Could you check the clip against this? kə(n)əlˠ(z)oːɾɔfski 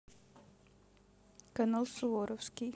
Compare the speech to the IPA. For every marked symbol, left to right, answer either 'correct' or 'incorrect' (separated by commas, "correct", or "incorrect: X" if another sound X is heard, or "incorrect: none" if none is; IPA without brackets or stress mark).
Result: correct, incorrect: s